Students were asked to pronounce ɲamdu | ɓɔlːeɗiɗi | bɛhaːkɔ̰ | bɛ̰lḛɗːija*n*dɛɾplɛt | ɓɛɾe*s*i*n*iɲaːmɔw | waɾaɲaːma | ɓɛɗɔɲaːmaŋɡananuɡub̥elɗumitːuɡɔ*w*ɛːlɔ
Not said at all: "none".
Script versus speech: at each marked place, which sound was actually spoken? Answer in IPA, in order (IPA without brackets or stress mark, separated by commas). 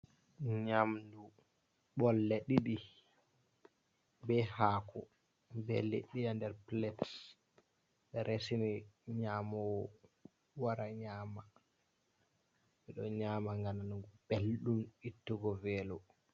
n, s, n, v